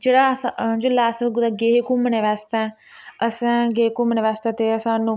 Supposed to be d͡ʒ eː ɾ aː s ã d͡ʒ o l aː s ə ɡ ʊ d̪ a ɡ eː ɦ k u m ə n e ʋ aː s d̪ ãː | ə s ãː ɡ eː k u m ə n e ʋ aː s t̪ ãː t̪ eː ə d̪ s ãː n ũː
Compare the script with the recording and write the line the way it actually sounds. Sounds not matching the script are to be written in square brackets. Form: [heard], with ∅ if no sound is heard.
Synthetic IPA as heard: d͡ʒ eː [ɽ] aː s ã d͡ʒ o l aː s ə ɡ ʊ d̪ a ɡ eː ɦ k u m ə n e ʋ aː s [t̪] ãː | ə s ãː ɡ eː k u m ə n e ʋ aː s t̪ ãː t̪ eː ə [∅] s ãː n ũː

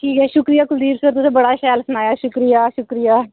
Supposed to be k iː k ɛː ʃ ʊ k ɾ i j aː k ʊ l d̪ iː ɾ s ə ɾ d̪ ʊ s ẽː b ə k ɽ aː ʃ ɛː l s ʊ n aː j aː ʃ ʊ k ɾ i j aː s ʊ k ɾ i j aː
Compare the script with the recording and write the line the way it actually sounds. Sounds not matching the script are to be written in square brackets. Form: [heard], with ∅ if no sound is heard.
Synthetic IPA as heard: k iː k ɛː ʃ ʊ k ɾ i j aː k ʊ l d̪ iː ɾ s ə ɾ [t̪] ʊ s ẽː b ə [∅] ɽ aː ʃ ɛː l s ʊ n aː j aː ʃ ʊ k ɾ i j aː [ʃ] ʊ k ɾ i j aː

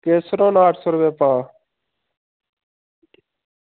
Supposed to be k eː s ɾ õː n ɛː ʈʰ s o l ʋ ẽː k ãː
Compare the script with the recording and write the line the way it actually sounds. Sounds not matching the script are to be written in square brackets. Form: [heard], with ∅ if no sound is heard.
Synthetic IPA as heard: k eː s ɾ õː n [aː] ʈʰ s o [ɾ] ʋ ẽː [p] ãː

